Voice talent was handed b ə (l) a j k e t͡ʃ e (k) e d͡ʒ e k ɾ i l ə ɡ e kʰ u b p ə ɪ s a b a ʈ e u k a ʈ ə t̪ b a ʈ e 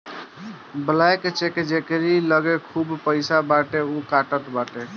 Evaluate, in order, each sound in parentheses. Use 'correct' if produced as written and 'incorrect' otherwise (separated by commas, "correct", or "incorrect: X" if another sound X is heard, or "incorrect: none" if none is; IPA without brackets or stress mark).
correct, correct